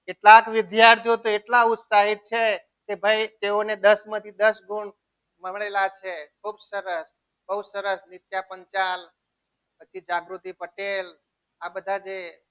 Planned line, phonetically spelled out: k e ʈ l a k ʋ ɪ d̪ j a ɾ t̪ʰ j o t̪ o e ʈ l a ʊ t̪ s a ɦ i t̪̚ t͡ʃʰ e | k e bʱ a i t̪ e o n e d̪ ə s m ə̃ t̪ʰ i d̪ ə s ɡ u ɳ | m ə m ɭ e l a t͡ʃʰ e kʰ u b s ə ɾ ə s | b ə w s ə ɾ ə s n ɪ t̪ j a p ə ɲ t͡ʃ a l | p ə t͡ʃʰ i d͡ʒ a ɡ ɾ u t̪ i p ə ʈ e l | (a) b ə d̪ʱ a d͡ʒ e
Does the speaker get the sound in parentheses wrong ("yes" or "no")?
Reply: no